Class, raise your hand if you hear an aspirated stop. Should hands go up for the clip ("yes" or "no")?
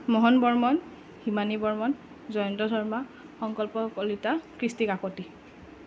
no